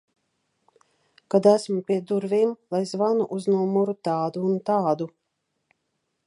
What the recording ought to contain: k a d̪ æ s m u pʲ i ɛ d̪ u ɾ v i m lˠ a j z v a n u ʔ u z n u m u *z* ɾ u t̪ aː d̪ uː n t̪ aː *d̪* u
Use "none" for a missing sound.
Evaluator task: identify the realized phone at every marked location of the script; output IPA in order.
none, d̪

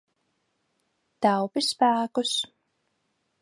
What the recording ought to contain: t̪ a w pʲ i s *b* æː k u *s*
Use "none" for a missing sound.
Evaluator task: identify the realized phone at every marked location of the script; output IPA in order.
p, s

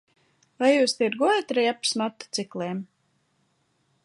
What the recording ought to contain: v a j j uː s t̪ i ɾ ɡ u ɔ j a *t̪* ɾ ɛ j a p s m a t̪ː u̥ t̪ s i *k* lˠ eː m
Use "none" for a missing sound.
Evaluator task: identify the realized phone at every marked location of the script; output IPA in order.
t̪, k

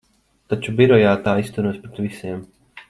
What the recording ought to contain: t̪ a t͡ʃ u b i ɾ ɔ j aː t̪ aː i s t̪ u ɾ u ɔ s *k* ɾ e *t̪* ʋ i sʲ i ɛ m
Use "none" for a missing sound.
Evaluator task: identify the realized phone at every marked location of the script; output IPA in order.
p, t̪

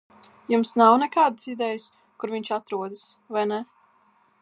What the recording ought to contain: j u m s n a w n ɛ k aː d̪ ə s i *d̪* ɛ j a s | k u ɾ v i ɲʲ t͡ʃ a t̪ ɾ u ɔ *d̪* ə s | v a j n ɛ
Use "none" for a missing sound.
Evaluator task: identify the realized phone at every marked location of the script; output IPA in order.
d̪, d̪

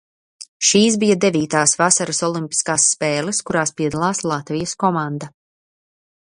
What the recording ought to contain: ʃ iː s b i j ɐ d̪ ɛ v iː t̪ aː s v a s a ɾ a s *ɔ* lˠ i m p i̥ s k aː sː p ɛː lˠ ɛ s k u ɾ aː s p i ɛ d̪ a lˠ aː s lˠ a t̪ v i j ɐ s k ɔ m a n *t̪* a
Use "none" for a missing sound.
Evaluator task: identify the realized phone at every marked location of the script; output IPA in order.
ɔ, d̪

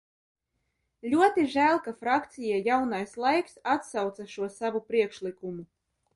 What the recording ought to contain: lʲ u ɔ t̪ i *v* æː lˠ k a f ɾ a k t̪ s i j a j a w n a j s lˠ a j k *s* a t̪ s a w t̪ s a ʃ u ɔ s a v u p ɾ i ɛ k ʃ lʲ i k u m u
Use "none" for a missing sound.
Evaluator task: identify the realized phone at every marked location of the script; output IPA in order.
ʒ, s

